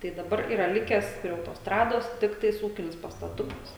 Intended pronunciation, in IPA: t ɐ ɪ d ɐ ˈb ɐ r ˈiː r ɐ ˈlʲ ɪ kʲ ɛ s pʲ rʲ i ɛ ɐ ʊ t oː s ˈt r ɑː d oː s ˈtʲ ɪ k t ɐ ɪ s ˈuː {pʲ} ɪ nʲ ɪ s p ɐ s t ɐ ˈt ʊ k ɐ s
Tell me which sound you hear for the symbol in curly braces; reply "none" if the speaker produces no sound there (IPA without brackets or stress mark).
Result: kʲ